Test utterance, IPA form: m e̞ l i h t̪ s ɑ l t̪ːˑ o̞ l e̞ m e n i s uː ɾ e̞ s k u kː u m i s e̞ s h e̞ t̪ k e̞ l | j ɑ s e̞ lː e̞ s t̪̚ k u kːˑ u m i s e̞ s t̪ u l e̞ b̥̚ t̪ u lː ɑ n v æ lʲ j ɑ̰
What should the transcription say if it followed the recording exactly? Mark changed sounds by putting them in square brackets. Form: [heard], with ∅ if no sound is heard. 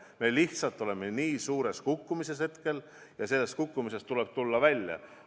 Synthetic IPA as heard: m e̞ l i h t̪ s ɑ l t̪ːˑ o̞ l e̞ m e n [iː] s uː ɾ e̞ s k u kː u m i s e̞ s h e̞ t̪ k e̞ l | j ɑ s e̞ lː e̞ s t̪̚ k u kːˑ u m i s e̞ s t̪ u l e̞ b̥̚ t̪ u lː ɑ [∅] v æ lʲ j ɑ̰